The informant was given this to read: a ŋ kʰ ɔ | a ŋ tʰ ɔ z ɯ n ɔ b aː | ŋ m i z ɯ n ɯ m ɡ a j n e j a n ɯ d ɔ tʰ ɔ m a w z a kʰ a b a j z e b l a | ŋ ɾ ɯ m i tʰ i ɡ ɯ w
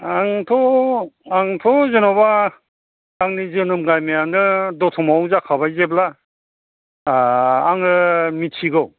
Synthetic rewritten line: a ŋ tʰ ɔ | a ŋ tʰ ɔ z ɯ n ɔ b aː | ŋ n i z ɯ n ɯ m ɡ a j m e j a n ɯ d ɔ tʰ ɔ m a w z a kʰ a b a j z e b l a | ŋ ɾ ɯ m i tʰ i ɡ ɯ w